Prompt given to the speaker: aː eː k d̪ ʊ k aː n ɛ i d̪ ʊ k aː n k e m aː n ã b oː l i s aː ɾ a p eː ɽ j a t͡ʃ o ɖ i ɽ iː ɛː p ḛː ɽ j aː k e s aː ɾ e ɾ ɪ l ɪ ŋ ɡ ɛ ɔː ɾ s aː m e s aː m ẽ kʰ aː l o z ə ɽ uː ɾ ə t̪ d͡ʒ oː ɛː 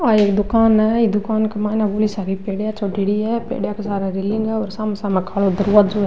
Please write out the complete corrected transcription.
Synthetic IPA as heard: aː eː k d̪ ʊ k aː n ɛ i d̪ ʊ k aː n k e m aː n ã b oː l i s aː ɾ i p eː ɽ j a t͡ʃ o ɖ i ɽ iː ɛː p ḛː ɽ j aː k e s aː ɾ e ɾ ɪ l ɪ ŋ ɡ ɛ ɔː ɾ s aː m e s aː m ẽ kʰ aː l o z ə ɾ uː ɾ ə t̪ d͡ʒ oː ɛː